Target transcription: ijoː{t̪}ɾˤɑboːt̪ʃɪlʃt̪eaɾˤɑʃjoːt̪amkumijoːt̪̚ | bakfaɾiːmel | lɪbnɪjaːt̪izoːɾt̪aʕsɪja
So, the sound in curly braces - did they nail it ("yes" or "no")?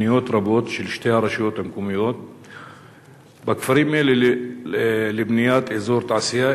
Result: yes